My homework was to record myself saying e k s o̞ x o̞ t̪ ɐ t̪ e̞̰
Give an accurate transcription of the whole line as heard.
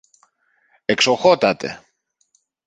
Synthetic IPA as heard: e k s o̞ x o̞ t̪ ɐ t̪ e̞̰